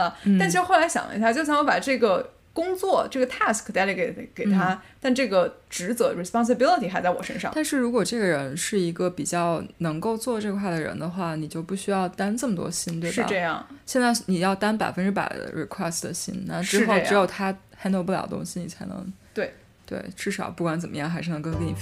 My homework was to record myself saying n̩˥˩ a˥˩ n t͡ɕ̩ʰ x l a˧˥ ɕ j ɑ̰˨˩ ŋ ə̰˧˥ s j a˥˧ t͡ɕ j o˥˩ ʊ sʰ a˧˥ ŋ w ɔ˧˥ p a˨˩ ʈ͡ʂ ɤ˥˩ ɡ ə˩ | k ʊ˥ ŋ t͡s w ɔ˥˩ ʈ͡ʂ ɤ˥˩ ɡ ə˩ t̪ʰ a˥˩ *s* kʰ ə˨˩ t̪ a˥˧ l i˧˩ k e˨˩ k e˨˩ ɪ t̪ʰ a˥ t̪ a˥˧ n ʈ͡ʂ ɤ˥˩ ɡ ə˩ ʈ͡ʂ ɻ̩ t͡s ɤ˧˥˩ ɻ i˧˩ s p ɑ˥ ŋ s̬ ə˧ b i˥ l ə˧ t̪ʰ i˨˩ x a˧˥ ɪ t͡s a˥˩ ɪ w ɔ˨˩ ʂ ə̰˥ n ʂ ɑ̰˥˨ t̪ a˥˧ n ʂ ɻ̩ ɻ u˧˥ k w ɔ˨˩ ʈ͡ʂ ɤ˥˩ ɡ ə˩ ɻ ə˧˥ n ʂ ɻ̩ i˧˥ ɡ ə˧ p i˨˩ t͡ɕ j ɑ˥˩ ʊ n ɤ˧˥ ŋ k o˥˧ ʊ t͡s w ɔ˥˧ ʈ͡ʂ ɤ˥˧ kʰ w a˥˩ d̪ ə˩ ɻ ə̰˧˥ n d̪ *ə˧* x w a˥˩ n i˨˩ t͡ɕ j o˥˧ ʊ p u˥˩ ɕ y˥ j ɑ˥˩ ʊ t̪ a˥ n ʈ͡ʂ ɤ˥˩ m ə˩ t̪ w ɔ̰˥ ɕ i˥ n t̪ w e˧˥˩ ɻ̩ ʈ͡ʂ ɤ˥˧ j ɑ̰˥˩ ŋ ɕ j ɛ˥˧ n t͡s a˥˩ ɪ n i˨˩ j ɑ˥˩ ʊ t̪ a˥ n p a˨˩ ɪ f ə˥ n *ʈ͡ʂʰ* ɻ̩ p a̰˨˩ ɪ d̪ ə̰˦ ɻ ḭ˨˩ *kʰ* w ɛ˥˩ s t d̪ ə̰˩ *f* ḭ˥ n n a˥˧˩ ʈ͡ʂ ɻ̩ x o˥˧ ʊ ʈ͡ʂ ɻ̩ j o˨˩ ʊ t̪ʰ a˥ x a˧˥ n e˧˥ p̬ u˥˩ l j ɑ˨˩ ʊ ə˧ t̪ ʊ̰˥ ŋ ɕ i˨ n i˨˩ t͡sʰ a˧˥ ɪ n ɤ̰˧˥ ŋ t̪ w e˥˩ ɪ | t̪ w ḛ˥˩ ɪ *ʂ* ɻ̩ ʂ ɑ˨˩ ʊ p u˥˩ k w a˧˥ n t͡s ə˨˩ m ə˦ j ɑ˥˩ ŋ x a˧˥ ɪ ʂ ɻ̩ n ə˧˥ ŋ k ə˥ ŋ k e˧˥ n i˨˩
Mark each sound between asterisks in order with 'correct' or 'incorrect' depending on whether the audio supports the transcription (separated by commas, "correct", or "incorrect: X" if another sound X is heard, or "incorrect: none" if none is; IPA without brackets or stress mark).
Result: correct, correct, incorrect: ʈ͡ʂ, correct, incorrect: ɕ, incorrect: ʈ͡ʂ